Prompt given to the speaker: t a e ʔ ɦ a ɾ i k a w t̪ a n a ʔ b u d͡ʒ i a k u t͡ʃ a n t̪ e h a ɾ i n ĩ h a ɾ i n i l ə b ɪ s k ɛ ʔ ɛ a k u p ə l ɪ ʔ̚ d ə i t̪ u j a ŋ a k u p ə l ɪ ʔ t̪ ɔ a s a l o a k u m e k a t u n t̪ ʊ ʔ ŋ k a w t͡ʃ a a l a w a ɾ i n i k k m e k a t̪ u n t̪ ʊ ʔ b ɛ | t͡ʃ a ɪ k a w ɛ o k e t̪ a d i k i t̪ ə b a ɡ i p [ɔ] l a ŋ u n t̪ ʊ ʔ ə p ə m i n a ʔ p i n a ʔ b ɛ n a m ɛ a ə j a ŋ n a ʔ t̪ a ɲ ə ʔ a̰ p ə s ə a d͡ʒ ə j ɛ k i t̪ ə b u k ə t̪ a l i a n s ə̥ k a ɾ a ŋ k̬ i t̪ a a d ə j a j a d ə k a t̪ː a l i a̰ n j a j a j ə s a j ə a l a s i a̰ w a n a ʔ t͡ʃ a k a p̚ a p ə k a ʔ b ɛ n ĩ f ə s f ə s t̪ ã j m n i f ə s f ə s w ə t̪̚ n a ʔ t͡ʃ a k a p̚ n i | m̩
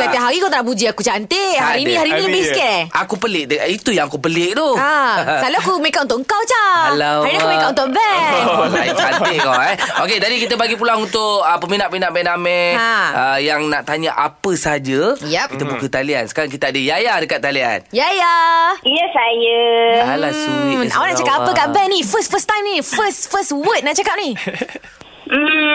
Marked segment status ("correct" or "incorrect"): incorrect